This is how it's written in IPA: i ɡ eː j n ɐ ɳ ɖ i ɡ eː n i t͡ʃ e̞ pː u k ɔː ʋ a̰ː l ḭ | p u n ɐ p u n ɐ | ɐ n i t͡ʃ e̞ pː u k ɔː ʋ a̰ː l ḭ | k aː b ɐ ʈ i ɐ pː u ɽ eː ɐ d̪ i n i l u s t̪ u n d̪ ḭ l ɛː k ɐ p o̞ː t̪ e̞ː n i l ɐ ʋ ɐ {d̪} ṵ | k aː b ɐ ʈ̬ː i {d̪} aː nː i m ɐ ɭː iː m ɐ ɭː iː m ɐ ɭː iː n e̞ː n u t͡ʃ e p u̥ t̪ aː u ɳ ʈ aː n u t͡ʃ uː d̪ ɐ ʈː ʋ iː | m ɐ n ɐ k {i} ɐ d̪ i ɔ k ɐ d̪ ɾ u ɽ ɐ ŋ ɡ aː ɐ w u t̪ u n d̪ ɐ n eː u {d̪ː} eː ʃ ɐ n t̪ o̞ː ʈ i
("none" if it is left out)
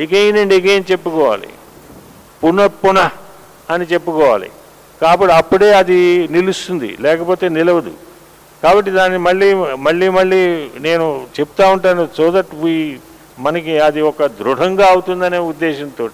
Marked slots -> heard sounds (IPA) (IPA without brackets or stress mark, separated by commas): d̪, d̪, i, d̪ː